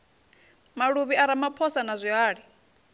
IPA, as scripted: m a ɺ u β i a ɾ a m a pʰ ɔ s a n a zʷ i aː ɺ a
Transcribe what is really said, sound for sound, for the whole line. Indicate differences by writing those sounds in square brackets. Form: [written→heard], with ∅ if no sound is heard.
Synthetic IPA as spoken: m a ɺ u β i a ɾ a m a pʰ ɔ s a n a zʷ i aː ɺ [a→i]